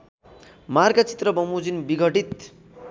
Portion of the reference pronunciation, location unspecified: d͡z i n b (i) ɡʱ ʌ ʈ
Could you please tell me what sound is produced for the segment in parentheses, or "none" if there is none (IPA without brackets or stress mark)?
i